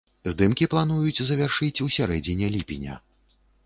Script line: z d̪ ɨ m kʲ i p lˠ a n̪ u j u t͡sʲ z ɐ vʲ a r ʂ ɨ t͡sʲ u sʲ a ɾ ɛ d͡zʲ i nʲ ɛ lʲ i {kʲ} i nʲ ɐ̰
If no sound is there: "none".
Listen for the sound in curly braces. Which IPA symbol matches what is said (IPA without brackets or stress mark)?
pʲ